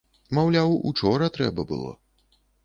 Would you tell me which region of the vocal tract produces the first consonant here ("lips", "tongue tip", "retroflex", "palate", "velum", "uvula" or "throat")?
lips